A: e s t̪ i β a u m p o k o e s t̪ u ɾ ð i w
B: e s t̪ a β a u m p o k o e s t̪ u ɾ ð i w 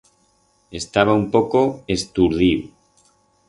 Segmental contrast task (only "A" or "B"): B